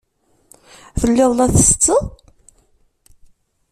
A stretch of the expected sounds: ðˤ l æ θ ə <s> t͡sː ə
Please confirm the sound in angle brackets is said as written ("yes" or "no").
yes